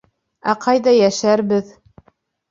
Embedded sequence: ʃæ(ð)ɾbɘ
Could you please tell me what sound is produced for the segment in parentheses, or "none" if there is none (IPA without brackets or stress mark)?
none